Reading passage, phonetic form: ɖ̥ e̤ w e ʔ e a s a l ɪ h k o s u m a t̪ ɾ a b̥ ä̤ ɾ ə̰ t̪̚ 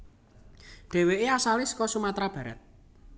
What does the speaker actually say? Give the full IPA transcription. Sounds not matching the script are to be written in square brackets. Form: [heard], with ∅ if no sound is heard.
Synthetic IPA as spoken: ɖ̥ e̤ w e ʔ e a s a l ɪ [s] k [ɔ] s u m a t̪ ɾ a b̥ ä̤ ɾ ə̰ t̪̚

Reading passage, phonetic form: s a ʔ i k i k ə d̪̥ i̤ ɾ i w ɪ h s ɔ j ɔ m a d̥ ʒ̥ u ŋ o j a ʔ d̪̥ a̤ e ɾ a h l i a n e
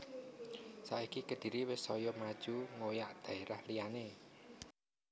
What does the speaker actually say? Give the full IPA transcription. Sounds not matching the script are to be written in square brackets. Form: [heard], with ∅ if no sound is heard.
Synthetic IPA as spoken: s a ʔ i k i k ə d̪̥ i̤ ɾ i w ɪ [∅] s ɔ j ɔ m a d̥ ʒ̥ u ŋ o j a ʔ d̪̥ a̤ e ɾ a h l i a n e

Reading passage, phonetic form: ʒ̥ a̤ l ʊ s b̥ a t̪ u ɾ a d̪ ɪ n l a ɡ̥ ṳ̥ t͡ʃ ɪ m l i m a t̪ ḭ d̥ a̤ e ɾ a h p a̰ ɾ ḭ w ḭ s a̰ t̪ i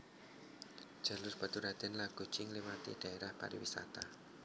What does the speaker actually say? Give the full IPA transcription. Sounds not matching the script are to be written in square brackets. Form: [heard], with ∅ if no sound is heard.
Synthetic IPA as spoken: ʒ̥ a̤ l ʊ s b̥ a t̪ u ɾ a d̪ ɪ n l a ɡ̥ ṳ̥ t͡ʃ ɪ [ŋ] l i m a t̪ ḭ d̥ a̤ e ɾ a h p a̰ ɾ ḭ w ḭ s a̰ t̪ [a]

